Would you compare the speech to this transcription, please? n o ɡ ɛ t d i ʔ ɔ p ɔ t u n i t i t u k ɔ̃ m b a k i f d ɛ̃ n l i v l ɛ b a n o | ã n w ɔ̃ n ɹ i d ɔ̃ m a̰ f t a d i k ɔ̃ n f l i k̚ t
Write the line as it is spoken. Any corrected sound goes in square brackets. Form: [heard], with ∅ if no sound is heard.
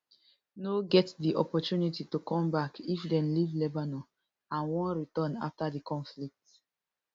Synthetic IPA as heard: n o ɡ ɛ t d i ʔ ɔ p ɔ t u n i t i t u k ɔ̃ m b a k i f d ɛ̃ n l i v l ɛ b a n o | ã n w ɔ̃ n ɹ i [t] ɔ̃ [n] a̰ f t a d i k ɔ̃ n f l i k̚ t